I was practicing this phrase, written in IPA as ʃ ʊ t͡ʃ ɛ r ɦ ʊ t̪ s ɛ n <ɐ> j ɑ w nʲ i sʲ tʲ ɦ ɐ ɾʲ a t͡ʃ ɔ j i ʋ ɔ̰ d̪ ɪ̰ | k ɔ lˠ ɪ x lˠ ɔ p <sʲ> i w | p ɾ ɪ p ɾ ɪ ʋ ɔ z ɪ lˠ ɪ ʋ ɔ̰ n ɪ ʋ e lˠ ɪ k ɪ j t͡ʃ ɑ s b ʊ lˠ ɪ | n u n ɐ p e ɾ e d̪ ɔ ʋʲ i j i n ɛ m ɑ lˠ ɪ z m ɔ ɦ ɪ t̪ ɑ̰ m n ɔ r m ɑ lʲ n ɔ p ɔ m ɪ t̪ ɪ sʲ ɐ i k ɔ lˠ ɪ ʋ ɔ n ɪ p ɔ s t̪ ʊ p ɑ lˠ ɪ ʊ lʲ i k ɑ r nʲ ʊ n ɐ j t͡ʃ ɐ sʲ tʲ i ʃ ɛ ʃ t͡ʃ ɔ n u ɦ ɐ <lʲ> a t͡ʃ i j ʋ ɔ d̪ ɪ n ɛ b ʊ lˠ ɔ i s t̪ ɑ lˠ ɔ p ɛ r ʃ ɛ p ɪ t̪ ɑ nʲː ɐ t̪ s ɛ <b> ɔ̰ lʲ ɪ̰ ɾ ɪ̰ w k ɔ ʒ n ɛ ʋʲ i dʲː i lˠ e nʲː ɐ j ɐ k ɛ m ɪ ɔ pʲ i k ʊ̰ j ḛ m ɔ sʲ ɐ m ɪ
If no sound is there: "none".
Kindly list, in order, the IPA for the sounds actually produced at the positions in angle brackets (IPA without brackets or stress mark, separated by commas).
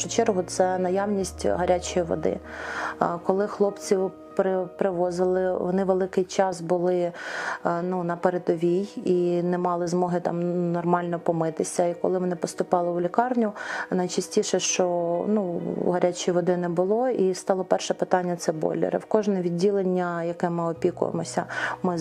ɐ, t͡sʲ, ɾʲ, b